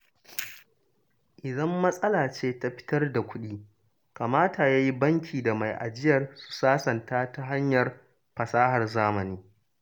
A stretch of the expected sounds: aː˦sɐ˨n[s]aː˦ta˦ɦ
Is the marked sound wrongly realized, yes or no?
yes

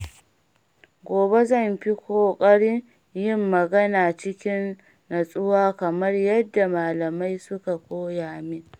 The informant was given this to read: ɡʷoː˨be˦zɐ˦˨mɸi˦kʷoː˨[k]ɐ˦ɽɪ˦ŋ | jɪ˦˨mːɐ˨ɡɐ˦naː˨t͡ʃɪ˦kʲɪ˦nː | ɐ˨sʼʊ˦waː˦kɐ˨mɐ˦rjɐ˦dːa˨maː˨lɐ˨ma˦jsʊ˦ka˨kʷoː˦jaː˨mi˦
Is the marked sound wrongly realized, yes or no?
yes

